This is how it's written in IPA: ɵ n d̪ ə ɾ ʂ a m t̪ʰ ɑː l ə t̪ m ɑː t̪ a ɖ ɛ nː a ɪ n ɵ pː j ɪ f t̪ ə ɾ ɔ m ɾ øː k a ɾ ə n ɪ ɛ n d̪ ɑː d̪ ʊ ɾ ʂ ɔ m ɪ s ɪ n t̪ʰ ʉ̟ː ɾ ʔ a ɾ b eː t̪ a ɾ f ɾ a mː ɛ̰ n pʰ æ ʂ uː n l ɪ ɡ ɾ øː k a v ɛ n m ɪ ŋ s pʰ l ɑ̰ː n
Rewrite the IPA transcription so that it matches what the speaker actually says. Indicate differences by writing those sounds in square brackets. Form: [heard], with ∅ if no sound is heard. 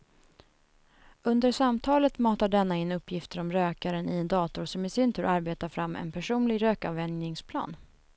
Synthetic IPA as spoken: ɵ n d̪ ə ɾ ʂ a m t̪ʰ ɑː l ə t̪ m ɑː t̪ a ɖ ɛ nː a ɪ n ɵ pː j ɪ f t̪ ə ɾ ɔ m ɾ øː k a ɾ ə n ɪ ɛ n d̪ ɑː [t̪] ʊ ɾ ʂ ɔ m ɪ s ɪ n t̪ʰ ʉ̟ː ɾ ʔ a ɾ b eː t̪ a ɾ f ɾ a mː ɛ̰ n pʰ æ ʂ uː n l ɪ ɡ ɾ øː k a v ɛ n [n] ɪ ŋ s pʰ l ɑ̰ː n